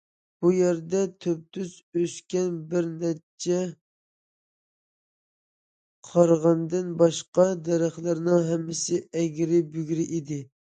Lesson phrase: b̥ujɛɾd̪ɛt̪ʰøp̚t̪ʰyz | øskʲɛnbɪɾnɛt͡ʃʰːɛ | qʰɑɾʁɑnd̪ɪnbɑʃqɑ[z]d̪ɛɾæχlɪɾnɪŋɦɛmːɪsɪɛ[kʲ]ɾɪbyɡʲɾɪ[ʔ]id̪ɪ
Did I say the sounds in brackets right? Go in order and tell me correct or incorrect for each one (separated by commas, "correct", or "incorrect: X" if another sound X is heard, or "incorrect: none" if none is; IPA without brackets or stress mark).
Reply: incorrect: none, incorrect: ɡʲ, correct